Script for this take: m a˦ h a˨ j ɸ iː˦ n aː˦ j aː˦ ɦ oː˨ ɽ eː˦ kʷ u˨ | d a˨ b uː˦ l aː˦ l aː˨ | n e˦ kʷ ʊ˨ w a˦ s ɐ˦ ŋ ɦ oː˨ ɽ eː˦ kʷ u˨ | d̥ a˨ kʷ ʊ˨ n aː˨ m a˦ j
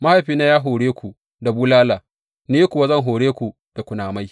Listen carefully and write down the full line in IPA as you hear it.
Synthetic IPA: m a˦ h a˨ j ɸ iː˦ n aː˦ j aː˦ ɦ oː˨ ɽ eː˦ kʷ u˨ | d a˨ b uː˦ l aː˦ l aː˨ | n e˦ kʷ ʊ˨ w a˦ z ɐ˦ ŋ ɦ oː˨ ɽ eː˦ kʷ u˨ | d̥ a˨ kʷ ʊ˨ n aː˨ m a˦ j